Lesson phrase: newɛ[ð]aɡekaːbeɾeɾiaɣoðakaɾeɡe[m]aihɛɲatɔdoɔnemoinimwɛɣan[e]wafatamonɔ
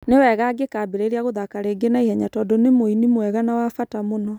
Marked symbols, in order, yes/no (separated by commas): no, no, no